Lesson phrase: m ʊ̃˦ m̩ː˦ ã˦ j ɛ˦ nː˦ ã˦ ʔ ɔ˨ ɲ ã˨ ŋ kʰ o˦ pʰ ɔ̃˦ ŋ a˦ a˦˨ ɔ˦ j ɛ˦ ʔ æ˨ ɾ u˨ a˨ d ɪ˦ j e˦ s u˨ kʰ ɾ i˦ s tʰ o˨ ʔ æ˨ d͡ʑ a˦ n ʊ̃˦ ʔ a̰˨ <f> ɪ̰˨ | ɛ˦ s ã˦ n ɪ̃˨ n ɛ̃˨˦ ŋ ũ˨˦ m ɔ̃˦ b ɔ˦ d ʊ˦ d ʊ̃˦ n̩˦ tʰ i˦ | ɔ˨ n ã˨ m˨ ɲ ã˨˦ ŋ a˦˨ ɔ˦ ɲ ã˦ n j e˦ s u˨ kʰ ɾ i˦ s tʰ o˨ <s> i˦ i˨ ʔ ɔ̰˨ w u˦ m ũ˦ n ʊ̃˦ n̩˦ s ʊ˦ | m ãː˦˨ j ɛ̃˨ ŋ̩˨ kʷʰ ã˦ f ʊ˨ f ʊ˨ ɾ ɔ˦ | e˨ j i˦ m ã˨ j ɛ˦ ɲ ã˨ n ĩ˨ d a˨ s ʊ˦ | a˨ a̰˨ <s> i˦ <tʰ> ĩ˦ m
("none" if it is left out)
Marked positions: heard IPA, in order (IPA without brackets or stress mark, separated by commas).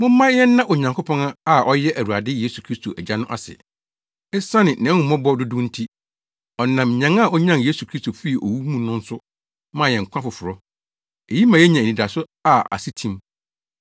s, f, s, tʰ